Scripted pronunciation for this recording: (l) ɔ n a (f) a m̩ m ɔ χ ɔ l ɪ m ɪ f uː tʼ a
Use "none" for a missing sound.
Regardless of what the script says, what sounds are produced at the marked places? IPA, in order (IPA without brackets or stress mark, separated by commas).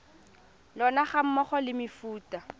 l, χ